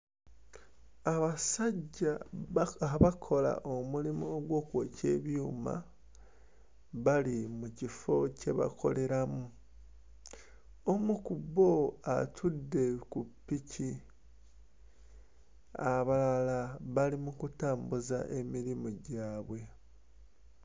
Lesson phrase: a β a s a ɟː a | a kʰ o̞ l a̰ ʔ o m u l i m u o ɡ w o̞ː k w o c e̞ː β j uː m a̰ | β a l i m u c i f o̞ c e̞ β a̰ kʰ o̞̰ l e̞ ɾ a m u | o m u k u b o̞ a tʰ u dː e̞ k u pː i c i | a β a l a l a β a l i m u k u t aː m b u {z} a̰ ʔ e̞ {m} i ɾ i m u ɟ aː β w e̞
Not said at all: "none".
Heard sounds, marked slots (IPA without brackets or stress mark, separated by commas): z, m